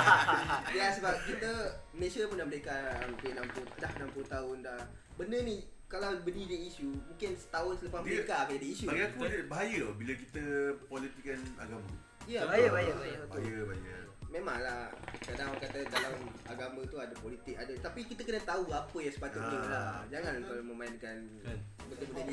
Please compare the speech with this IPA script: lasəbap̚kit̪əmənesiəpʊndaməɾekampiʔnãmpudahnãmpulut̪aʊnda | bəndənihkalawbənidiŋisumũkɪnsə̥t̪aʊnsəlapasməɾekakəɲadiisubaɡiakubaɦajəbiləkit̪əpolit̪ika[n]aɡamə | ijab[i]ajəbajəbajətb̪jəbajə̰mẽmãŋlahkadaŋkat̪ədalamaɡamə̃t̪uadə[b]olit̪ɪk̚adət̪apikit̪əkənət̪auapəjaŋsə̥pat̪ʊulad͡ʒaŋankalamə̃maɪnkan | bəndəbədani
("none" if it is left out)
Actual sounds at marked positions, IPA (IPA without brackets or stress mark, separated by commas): n, a, p